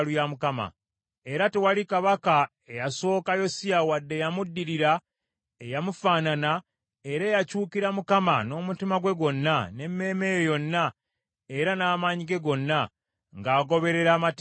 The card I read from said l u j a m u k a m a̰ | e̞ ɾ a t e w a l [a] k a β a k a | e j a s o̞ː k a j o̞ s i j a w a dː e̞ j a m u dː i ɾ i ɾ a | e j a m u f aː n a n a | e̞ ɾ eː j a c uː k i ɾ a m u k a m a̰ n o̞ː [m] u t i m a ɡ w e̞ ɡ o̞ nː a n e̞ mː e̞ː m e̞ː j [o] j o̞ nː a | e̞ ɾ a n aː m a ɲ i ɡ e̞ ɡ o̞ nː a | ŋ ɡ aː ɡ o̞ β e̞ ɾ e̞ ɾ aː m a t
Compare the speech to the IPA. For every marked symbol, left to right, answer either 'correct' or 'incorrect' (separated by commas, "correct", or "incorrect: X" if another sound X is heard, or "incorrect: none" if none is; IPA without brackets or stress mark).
incorrect: i, correct, correct